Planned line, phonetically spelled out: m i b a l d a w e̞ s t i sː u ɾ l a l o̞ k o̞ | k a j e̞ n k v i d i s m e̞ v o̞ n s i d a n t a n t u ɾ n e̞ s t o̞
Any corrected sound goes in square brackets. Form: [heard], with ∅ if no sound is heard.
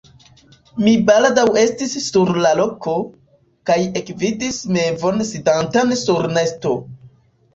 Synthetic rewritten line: m i b a l d a w e̞ s t i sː u ɾ l a l o̞ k o̞ | k a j e̞ [∅] k v i d i s m e̞ v o̞ n s i d a n t a n [s] u ɾ n e̞ s t o̞